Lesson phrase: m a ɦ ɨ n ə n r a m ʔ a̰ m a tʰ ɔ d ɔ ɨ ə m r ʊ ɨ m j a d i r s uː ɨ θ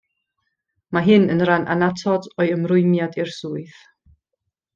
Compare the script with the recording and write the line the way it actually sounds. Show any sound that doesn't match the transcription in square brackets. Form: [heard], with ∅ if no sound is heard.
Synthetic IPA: m a ɦ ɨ n ə n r a [n] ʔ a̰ [n] a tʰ ɔ d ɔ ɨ ə m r ʊ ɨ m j a d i r s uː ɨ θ